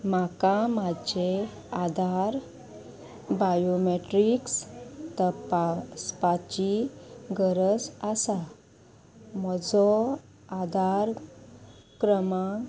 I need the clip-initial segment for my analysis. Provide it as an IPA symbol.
m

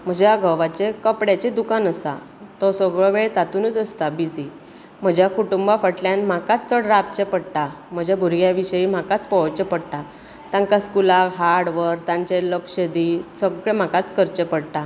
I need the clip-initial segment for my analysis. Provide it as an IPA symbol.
m̤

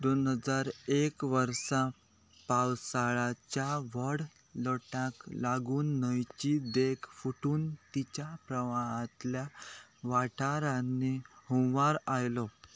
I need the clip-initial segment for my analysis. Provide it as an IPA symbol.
d̪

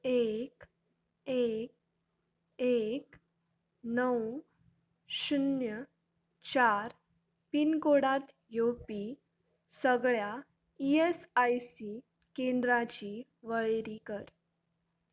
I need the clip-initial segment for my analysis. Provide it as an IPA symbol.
e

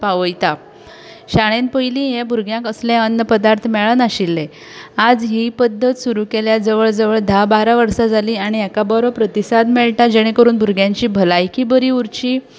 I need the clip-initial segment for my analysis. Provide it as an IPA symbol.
p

